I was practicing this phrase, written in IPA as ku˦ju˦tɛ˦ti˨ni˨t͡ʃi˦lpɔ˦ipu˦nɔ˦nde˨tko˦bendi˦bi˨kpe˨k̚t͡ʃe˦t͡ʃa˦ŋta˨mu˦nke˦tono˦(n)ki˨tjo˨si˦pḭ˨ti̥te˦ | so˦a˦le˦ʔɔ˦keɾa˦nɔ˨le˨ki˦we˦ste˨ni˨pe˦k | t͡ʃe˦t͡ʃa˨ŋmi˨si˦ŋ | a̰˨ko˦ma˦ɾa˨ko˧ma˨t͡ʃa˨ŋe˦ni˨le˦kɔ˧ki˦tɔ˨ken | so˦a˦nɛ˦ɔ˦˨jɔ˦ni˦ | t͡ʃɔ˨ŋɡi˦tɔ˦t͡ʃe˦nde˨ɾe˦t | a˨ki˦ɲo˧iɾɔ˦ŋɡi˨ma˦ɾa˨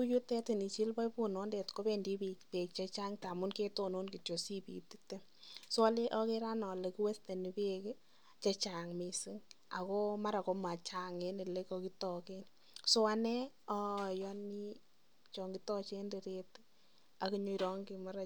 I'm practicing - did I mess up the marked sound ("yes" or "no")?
no